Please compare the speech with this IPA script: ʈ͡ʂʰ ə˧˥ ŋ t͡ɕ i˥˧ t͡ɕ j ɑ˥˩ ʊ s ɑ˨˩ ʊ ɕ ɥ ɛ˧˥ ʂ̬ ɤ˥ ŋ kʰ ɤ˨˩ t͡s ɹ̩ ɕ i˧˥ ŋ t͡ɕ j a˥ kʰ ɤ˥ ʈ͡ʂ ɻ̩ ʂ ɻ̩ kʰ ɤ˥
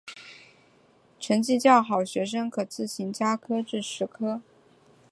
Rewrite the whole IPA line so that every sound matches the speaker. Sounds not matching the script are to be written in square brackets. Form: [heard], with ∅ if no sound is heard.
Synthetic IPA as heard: ʈ͡ʂʰ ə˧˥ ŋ t͡ɕ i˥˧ t͡ɕ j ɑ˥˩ ʊ [x] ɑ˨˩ ʊ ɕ ɥ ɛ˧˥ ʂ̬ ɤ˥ ŋ kʰ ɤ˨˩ t͡s ɹ̩ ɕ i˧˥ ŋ t͡ɕ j a˥ kʰ ɤ˥ ʈ͡ʂ ɻ̩ ʂ ɻ̩ kʰ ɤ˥